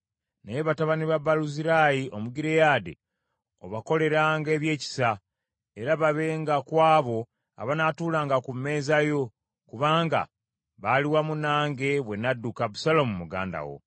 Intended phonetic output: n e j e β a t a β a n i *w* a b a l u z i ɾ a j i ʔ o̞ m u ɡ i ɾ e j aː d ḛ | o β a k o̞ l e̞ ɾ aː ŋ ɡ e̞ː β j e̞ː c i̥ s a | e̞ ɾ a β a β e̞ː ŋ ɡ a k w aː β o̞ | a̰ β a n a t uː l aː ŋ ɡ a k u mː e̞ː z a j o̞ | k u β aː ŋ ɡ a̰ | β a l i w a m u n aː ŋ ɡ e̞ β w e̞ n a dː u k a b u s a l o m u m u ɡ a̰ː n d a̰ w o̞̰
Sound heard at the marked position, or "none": β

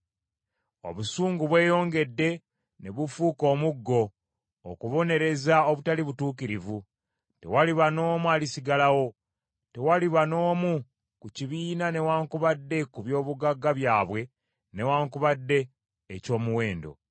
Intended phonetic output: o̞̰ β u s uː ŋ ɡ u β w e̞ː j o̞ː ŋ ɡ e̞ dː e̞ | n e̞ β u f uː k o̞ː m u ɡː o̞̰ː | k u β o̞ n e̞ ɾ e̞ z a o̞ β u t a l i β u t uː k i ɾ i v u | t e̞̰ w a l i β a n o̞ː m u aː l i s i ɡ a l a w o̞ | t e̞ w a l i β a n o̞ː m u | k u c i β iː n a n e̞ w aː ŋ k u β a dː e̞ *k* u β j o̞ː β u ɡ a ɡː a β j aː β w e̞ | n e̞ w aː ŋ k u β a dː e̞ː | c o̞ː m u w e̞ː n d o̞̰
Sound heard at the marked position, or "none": k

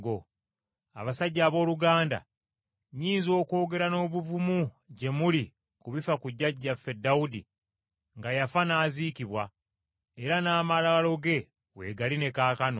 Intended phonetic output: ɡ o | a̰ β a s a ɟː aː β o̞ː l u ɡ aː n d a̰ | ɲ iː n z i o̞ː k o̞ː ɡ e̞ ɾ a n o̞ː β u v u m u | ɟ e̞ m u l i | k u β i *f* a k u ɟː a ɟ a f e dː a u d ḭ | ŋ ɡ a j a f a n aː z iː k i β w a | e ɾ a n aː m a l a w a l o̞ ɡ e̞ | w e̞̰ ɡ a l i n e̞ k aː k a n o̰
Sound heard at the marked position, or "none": f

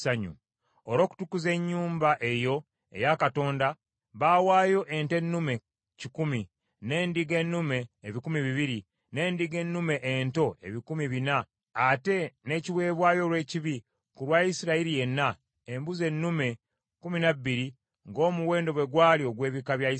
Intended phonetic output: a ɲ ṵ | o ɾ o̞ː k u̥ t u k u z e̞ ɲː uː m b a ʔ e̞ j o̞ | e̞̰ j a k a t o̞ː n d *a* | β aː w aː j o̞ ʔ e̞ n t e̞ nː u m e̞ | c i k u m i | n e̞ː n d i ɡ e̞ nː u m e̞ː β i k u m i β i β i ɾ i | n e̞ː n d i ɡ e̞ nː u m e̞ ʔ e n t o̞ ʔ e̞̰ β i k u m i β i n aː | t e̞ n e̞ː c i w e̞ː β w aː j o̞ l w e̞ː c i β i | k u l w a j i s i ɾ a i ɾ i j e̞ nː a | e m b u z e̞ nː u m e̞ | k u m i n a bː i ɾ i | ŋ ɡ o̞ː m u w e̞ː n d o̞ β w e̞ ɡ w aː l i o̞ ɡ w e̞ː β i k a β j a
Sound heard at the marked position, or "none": a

